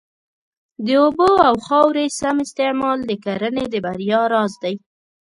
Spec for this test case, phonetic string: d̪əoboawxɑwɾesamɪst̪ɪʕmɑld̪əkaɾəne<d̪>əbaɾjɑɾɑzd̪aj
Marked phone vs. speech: correct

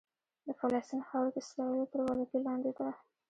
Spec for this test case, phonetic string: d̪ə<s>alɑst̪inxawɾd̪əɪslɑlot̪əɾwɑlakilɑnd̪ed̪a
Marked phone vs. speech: incorrect: f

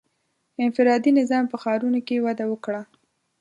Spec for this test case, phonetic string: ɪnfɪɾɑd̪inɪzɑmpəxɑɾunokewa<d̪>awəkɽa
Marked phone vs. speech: correct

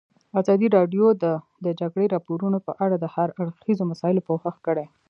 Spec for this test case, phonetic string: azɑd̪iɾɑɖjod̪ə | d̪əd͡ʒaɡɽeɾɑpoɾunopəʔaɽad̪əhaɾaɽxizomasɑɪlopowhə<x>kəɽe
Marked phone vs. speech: correct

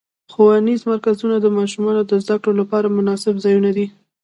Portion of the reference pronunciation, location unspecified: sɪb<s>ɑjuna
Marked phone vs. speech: incorrect: z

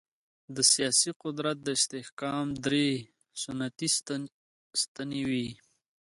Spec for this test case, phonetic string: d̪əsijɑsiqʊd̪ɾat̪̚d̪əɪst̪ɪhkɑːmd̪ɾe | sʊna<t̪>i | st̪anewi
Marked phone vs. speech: correct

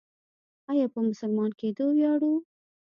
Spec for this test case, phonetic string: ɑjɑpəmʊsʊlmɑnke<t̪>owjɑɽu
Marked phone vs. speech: incorrect: d̪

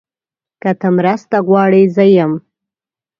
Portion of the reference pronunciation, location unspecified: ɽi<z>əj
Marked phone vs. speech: correct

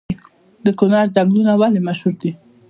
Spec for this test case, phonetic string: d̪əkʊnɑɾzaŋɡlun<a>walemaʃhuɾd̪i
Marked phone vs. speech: correct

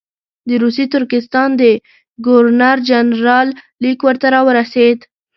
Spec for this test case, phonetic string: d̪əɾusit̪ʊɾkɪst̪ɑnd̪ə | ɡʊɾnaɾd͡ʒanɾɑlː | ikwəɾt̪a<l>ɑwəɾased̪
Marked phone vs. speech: incorrect: ɾ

